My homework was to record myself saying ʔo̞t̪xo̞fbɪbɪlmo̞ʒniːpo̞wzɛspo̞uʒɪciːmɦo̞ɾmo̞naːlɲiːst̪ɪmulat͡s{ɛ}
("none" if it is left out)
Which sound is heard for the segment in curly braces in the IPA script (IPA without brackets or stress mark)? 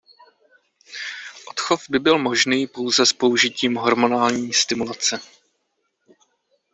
ɛ